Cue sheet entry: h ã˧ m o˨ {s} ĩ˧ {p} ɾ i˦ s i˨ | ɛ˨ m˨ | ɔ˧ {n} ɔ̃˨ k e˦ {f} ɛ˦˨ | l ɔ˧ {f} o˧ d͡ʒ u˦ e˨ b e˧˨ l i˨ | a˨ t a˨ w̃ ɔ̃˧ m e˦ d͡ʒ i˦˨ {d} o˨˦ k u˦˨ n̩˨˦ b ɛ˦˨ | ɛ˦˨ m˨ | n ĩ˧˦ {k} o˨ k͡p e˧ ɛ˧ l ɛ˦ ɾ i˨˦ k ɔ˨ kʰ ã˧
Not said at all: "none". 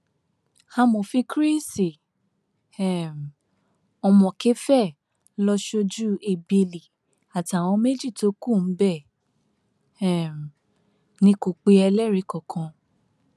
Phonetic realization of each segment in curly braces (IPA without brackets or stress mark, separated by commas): f, k, m, f, ʃ, t, k